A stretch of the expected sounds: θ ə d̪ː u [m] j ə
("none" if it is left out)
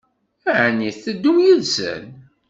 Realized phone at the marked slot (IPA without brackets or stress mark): m